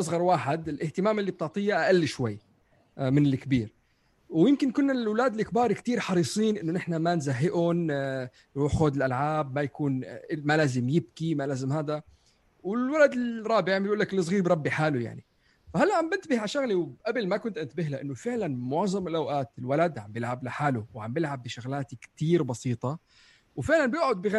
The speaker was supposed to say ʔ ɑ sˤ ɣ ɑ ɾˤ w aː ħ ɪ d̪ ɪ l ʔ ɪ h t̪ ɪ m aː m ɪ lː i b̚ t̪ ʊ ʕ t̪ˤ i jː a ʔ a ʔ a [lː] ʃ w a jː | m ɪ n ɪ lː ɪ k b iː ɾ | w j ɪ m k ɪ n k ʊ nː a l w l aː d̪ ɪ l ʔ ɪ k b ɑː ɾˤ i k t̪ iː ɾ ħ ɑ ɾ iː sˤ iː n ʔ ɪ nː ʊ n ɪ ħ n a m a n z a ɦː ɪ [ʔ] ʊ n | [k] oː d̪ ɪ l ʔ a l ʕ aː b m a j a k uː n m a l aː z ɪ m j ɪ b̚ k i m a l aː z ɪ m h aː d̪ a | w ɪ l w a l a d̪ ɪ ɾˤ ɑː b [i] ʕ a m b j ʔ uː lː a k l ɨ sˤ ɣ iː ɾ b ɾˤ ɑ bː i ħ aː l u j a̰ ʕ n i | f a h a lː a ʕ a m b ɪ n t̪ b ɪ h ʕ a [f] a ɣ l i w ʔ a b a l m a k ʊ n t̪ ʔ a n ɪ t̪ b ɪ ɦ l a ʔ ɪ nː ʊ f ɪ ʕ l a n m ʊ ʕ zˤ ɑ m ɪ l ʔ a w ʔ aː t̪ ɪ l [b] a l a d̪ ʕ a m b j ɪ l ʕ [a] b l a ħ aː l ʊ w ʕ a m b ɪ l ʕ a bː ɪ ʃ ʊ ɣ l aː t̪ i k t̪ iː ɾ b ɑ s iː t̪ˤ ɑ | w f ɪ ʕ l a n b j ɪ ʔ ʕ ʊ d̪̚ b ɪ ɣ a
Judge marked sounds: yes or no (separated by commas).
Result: yes, yes, no, no, no, no, yes